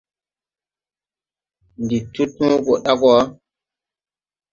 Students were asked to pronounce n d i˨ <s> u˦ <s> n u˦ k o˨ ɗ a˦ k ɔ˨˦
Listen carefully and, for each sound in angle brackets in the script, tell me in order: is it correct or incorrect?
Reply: incorrect: t, incorrect: t

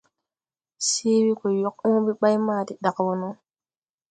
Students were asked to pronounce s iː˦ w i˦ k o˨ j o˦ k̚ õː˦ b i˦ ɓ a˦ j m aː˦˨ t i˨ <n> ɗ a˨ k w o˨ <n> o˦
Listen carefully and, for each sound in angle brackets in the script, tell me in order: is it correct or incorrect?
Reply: incorrect: none, correct

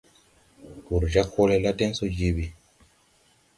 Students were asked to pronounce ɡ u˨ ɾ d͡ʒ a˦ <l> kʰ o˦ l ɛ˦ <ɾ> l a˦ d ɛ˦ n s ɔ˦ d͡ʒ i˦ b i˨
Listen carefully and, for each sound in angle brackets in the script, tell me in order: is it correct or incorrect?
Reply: incorrect: none, incorrect: none

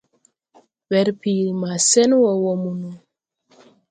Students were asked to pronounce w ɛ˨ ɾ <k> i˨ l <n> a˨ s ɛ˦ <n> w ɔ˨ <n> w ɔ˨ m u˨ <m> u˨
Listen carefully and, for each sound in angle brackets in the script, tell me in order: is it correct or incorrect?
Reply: incorrect: p, incorrect: m, correct, incorrect: none, incorrect: n

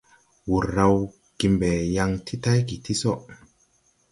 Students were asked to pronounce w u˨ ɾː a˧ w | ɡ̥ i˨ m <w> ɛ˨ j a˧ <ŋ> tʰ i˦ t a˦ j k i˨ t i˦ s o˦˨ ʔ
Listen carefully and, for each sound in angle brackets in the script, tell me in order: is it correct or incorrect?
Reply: incorrect: b, correct

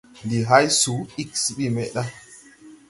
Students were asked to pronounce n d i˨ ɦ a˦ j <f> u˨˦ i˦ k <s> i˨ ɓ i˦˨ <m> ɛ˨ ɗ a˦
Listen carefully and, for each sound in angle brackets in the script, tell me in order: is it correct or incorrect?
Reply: incorrect: s, correct, correct

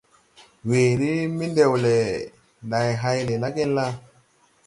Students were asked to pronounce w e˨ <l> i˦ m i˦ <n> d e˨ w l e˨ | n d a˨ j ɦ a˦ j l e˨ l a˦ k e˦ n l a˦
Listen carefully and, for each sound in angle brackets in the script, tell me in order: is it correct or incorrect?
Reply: incorrect: ɾ, correct

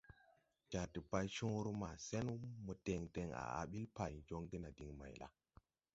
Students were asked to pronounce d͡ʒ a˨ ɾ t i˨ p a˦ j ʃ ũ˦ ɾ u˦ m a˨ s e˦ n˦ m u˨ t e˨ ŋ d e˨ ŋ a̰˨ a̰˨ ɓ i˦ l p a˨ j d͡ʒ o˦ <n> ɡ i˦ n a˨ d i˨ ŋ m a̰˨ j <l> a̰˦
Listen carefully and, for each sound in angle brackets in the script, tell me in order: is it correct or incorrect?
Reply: incorrect: ŋ, correct

